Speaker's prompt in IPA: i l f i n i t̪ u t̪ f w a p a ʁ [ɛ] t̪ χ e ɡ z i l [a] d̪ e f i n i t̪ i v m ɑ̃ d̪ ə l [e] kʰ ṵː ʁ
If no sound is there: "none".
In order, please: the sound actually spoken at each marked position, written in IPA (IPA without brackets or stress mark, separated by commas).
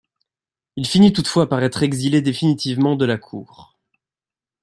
ɛ, e, a